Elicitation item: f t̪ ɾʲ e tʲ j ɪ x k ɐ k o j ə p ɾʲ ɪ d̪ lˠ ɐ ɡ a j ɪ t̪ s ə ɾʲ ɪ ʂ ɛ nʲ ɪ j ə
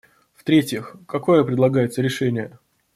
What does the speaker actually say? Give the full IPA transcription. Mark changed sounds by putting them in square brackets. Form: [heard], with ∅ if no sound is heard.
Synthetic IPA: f t̪ ɾʲ e tʲ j ɪ x k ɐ k o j ə p ɾʲ ɪ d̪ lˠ ɐ ɡ a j ɪ t̪ s ə ɾʲ ɪ ʂ ɛ nʲ ɪ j ə